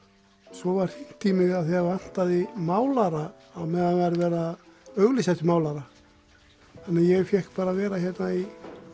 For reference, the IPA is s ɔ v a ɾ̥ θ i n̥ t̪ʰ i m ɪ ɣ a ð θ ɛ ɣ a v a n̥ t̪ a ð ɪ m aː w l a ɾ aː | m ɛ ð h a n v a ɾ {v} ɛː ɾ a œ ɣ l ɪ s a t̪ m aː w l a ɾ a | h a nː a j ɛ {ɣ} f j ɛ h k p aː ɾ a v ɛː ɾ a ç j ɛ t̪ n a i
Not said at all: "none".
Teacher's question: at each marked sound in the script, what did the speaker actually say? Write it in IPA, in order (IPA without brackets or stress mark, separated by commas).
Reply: v, ɣ